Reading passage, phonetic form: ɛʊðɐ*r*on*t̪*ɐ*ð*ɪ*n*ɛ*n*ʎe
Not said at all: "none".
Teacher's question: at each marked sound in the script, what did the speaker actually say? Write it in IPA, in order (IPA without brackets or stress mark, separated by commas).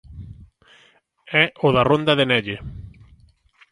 r, d̪, ð, n, none